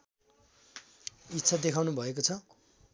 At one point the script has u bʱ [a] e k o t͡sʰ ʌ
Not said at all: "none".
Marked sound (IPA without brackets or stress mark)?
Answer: ʌ